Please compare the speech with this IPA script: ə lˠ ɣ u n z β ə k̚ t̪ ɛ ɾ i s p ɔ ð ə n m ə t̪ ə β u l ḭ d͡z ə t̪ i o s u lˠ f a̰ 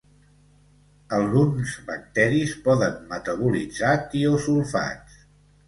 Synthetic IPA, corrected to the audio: ə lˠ ɣ u n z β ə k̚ t̪ ɛ ɾ i s p ɔ ð ə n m ə t̪ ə β u l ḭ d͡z a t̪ i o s u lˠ f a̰